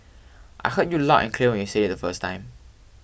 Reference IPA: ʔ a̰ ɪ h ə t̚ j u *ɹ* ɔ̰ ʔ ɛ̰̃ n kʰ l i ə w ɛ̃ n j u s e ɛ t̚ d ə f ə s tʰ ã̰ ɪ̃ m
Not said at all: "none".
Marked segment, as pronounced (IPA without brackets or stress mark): l